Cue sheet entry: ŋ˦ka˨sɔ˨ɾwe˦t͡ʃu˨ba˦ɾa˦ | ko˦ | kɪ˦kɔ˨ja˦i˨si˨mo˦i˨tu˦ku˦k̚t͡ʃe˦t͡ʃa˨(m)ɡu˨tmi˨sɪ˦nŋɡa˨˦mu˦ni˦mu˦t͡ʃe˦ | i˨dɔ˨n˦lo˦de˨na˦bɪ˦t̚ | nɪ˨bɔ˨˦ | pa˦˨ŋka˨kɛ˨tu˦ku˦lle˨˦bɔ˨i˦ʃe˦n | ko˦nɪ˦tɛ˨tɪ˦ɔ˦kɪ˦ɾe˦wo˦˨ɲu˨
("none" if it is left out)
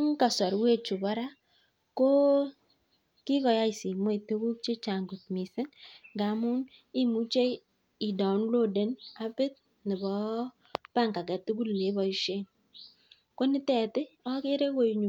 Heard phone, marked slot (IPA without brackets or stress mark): ŋ